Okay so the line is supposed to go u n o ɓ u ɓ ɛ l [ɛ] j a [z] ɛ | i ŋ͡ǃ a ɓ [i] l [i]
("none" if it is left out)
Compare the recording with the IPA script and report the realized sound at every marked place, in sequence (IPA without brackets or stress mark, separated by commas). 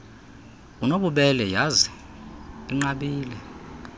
ɛ, z, iː, ɛ